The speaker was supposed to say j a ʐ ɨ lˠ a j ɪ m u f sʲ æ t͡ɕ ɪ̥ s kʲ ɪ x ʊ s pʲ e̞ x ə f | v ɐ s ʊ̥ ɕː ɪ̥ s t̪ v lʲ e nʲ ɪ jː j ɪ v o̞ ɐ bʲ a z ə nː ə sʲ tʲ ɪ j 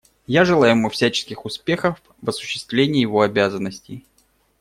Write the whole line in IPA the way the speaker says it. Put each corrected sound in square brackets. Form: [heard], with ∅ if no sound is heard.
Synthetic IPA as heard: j a ʐ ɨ lˠ a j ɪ m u f sʲ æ t͡ɕ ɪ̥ s kʲ ɪ x ʊ s pʲ e̞ x ə f | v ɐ s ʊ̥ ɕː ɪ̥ s t̪ v lʲ e nʲ ɪ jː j ɪ v o̞ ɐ bʲ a z ə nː ə sʲ tʲ ɪ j